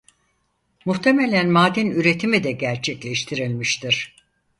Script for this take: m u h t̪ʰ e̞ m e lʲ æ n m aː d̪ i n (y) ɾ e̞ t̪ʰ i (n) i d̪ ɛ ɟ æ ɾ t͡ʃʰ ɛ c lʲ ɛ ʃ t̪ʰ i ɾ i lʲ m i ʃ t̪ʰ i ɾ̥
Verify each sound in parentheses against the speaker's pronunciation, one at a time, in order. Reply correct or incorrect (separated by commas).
correct, incorrect